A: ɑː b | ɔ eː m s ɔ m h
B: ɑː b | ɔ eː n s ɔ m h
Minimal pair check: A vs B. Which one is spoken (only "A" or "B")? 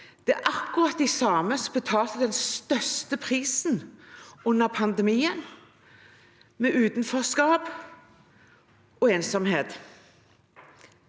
B